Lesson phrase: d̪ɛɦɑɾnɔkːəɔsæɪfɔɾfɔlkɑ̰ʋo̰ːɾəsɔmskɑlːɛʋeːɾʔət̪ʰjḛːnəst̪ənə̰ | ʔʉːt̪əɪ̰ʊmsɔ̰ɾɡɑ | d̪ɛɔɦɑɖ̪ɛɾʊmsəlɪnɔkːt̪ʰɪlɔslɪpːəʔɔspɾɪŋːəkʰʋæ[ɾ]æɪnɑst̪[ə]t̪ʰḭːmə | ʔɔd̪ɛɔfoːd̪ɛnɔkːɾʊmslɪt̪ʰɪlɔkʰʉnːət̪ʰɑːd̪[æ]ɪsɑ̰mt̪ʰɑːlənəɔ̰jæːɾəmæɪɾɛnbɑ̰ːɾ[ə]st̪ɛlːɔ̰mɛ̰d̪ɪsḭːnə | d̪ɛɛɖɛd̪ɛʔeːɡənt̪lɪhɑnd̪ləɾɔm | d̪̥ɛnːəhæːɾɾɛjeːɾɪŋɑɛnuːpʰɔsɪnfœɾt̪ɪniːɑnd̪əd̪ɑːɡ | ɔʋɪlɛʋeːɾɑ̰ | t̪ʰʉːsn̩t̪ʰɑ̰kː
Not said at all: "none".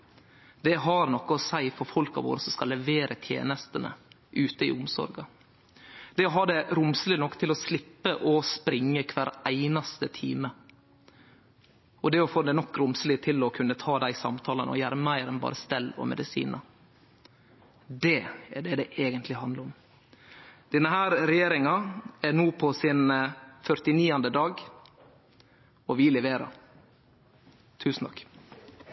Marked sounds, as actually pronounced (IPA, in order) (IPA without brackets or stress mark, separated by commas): ɾ, ə, æ, ə